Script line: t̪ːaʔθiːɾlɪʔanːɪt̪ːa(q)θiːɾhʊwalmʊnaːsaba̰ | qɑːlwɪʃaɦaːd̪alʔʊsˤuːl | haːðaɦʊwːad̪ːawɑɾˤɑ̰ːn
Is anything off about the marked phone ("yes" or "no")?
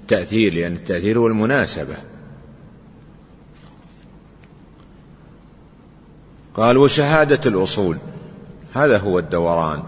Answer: yes